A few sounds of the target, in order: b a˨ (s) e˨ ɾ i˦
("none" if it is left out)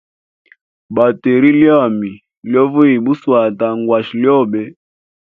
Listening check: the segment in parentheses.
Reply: t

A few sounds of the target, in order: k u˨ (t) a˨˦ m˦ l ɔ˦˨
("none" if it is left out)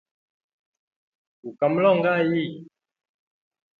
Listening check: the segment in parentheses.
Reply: k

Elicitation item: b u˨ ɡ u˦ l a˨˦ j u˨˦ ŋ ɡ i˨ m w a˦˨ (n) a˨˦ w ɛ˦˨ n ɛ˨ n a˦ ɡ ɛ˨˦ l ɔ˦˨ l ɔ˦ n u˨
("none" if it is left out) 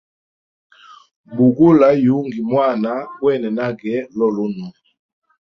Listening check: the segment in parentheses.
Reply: n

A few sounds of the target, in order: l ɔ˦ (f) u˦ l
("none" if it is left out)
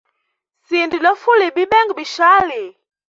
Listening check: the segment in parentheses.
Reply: f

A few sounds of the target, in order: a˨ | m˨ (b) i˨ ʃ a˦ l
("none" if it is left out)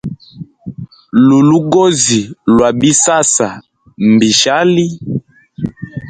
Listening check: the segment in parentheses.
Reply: b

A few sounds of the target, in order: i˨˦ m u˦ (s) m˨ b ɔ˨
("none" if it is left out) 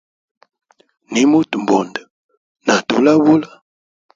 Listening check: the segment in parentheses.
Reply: t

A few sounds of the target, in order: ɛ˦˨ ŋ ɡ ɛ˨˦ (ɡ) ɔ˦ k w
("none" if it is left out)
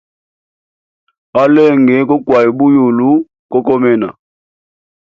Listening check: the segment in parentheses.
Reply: k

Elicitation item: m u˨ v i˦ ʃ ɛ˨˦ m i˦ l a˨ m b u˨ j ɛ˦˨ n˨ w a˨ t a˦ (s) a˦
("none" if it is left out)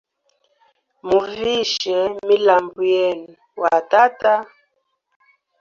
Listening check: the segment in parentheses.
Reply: t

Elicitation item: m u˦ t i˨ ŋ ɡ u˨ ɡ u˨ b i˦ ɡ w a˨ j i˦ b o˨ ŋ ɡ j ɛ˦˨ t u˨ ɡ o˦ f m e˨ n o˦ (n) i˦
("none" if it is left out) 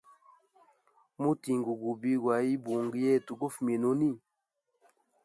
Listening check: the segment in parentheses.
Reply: n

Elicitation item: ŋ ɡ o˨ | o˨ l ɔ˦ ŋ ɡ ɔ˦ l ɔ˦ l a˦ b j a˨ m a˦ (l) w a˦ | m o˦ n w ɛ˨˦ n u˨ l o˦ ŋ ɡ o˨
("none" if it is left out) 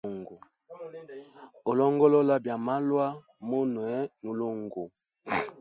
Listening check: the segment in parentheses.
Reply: l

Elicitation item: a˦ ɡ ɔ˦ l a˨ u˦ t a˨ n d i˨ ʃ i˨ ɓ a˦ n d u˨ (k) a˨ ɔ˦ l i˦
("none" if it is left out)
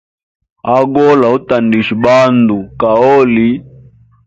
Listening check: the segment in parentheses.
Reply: k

